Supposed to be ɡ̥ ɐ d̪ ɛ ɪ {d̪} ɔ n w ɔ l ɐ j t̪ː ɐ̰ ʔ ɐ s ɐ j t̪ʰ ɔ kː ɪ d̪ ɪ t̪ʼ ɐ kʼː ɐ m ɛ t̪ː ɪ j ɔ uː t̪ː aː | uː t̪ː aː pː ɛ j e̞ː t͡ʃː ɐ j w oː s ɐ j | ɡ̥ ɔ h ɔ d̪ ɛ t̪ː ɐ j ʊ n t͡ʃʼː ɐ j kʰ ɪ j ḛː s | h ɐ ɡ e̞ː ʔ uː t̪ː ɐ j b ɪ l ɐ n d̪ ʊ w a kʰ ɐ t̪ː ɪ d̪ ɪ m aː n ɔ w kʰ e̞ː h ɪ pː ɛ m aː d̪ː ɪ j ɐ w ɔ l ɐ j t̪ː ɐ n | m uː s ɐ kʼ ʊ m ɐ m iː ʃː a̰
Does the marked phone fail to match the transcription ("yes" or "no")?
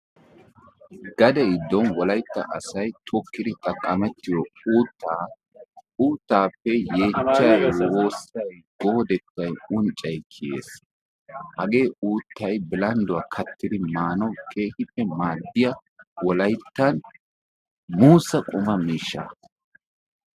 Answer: yes